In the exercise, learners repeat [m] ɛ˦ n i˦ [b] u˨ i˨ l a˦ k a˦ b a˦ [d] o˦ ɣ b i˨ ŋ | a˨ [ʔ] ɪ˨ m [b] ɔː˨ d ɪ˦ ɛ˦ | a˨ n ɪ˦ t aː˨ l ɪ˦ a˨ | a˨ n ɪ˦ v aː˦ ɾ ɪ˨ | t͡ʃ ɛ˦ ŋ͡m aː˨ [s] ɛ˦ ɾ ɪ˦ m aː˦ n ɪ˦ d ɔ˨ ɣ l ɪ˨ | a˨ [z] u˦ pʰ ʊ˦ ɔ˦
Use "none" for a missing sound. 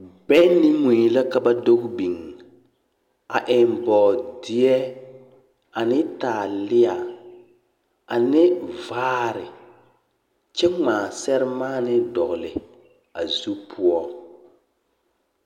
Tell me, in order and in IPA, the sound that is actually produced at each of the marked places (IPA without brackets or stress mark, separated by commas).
b, m, d, ʔ, b, s, z